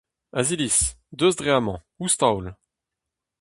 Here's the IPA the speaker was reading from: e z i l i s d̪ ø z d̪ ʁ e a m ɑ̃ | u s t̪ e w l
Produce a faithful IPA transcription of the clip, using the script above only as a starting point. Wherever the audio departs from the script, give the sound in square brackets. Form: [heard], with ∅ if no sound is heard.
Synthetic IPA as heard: [a] z i l i s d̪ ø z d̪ ʁ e a m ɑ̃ | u s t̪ [a] w l